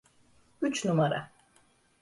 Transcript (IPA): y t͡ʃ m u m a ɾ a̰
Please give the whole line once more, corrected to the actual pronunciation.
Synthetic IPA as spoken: y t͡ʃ n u m a ɾ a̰